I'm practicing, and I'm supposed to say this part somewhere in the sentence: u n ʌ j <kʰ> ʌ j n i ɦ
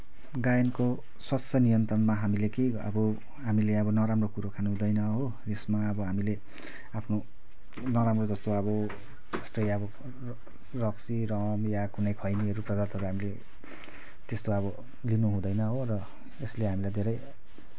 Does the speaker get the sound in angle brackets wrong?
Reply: no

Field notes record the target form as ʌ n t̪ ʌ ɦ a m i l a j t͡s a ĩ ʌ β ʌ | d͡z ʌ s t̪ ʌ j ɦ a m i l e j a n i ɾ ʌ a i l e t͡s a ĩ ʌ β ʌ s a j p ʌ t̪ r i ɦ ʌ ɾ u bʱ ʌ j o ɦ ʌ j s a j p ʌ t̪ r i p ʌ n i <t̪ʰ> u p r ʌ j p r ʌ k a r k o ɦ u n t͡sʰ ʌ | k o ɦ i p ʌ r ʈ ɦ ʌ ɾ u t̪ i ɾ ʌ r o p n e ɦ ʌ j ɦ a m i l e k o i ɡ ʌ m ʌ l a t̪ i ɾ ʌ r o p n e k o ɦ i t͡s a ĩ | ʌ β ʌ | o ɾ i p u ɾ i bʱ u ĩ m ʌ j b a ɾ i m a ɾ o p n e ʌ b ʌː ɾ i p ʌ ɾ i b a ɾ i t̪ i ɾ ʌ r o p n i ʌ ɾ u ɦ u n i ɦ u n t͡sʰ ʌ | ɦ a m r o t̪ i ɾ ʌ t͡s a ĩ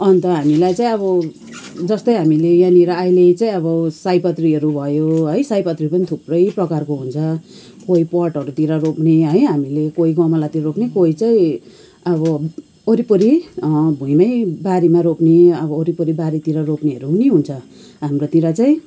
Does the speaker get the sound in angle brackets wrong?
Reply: no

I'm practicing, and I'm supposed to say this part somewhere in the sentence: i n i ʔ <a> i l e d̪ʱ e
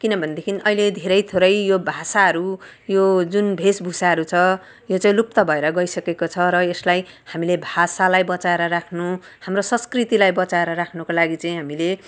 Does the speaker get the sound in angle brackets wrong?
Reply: yes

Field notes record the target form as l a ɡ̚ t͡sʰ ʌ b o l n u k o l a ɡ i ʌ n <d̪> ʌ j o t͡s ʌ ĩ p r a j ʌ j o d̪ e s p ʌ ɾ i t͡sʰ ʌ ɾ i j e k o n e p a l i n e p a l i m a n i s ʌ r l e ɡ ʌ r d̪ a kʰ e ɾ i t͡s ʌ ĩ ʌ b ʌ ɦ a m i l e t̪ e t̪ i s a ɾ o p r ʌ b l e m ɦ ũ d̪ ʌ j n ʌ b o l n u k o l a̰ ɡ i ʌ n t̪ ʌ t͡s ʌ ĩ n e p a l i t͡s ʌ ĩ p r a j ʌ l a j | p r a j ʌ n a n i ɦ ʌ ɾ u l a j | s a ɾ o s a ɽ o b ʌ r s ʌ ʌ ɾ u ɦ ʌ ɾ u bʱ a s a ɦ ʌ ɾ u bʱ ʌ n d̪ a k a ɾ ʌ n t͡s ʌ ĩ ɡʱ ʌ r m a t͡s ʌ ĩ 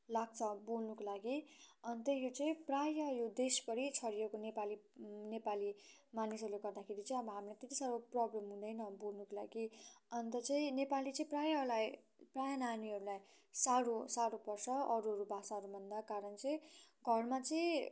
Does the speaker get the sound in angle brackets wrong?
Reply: yes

